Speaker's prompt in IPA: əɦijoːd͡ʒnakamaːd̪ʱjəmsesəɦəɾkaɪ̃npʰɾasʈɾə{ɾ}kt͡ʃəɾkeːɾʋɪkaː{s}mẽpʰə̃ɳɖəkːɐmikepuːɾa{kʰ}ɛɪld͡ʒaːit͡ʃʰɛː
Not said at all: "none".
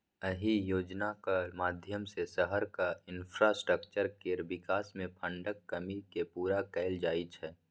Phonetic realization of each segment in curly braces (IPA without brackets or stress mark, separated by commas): none, s, k